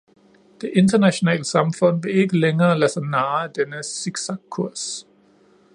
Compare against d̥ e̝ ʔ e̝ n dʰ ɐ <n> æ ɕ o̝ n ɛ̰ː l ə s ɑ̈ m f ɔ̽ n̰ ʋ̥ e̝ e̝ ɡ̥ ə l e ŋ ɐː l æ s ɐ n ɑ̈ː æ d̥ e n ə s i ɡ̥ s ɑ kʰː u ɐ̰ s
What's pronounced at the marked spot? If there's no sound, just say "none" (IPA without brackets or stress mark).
n